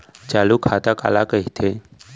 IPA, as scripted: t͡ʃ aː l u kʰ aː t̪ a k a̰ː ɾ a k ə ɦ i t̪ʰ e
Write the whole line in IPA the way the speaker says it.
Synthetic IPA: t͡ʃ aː l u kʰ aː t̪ a k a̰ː l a k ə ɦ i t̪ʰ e